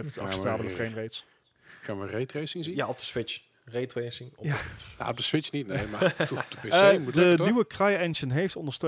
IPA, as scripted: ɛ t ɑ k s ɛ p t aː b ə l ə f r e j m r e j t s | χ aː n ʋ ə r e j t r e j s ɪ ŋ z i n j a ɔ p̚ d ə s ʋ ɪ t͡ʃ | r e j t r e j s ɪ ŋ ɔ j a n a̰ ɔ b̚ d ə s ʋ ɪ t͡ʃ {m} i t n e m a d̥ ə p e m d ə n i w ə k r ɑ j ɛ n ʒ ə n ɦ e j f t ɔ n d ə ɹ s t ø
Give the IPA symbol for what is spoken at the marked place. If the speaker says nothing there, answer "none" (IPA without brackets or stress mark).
n